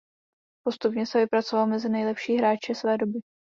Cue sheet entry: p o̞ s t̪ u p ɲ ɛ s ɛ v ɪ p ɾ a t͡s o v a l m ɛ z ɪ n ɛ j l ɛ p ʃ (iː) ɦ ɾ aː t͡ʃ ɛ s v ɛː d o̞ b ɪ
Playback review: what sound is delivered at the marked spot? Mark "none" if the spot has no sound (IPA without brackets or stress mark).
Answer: iː